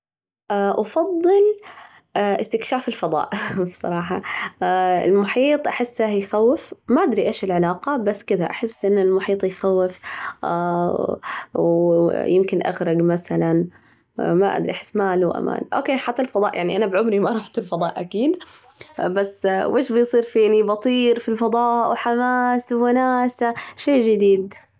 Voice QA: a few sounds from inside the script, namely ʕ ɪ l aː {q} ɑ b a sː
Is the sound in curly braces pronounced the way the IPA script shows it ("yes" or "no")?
yes